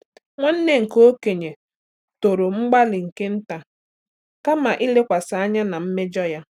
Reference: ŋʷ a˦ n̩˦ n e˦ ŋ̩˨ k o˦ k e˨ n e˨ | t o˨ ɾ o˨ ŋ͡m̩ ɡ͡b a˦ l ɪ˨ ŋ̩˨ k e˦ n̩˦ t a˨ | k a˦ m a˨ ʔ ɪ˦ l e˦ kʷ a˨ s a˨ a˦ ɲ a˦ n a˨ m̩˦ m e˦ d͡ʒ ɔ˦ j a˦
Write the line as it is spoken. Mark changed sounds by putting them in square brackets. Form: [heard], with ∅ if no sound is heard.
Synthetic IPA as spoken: ŋʷ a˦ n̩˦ n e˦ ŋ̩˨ k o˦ k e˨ [ɲ] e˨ | t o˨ ɾ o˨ ŋ͡m̩ ɡ͡b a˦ l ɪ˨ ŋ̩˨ k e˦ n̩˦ t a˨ | k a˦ m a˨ ʔ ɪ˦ l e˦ kʷ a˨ s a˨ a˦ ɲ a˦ n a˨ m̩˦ m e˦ d͡ʒ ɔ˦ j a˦